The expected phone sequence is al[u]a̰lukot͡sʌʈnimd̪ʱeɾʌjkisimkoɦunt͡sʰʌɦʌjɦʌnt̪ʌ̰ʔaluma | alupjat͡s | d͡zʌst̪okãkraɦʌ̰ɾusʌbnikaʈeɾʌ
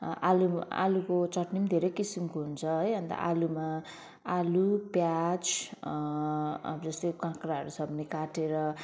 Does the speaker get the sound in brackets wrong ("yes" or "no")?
no